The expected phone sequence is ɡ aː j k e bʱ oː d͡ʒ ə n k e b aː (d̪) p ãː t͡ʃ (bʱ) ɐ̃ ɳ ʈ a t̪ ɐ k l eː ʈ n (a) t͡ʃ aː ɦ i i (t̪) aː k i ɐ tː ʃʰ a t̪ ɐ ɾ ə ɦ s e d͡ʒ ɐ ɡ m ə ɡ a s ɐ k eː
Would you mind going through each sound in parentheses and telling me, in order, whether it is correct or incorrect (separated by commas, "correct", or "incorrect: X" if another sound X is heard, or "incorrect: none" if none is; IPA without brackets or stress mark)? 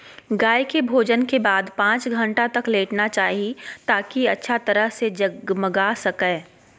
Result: correct, incorrect: ɡʱ, correct, correct